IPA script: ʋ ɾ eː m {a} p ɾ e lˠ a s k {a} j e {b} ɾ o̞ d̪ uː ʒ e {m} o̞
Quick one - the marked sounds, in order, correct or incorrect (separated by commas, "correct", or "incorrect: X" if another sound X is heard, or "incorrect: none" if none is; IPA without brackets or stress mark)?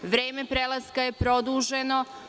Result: incorrect: e, correct, incorrect: p, incorrect: n